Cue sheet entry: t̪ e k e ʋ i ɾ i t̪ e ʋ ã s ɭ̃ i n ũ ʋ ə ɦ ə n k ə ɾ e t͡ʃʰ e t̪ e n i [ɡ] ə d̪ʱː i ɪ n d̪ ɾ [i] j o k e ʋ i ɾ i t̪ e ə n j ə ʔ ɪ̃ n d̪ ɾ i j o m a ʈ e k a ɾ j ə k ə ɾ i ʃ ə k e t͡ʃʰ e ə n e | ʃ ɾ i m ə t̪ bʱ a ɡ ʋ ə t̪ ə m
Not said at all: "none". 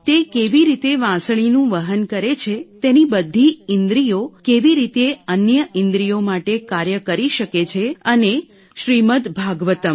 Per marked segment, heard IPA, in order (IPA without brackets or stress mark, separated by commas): b, i